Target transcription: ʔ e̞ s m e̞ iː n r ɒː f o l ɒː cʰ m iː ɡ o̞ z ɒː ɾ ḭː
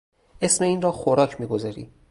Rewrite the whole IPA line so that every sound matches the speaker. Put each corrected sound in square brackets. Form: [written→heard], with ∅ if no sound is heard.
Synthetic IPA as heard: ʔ e̞ s m e̞ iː n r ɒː [f→x] o [l→ɾ] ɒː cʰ m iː ɡ o̞ z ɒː ɾ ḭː